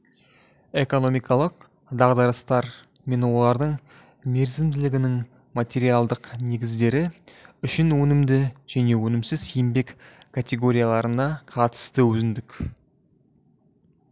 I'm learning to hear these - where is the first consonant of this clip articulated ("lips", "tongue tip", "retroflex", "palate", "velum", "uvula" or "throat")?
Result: velum